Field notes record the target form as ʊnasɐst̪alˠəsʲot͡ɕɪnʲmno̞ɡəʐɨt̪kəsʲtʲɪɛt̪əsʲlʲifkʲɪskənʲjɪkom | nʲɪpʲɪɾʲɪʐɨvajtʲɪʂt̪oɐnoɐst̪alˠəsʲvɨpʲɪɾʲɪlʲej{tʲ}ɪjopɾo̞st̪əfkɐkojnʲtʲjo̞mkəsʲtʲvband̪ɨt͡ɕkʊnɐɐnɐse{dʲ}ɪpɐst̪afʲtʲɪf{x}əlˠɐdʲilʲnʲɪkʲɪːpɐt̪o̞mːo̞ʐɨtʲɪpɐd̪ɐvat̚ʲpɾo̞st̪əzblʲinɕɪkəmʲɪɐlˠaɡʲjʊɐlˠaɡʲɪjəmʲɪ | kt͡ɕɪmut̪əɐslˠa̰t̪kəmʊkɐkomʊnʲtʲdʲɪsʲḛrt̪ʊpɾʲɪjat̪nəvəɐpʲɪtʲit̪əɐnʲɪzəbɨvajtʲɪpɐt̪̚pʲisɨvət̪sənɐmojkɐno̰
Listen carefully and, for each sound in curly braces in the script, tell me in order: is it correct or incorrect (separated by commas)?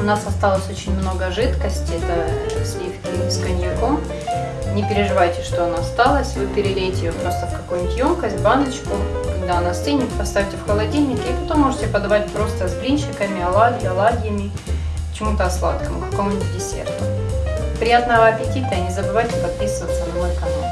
correct, incorrect, correct